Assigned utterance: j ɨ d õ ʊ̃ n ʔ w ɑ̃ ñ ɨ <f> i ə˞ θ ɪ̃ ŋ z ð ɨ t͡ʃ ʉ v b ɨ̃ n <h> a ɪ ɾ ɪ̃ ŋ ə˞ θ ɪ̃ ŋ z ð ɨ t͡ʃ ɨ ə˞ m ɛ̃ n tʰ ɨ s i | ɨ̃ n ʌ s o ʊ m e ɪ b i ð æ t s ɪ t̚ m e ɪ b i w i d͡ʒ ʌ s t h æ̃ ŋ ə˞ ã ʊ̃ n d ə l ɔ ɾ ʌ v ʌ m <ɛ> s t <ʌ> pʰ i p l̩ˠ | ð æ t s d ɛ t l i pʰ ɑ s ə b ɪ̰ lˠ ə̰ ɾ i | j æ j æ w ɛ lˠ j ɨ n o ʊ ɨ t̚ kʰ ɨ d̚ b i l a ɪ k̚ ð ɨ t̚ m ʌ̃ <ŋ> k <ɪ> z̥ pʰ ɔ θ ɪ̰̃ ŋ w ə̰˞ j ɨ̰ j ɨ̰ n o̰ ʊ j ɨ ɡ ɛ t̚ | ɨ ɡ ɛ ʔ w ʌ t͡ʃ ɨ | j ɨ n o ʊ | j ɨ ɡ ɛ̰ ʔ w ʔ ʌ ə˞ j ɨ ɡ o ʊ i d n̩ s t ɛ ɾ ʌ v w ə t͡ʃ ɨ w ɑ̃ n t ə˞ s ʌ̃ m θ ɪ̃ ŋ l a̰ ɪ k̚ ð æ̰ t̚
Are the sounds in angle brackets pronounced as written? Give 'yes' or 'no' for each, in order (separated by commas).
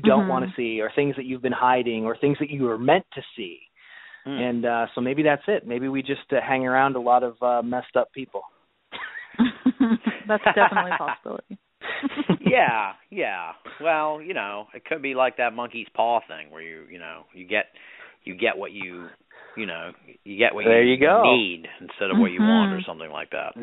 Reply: no, yes, yes, yes, yes, no